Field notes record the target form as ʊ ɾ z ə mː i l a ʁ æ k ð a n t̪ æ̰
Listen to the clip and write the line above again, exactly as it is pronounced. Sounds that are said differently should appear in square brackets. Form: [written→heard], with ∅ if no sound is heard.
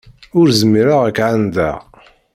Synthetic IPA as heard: ʊ ɾ z ə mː i [l→ɾ] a ʁ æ k [ð→ʕ] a n [t̪→d̪] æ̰